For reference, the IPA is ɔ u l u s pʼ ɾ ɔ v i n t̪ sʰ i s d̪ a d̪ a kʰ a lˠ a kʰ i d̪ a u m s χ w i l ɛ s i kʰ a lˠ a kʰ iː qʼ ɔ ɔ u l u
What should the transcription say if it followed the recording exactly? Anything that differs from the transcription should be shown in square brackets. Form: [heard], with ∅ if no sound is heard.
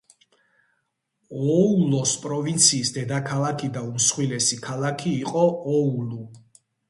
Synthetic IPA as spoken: ɔ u l [ɔ] s pʼ ɾ ɔ v i n t̪ sʰ [iː] s d̪ [ɛ] d̪ a kʰ a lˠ a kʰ i d̪ a u m s χ w i l ɛ s i kʰ a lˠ a kʰ iː qʼ ɔ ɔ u l u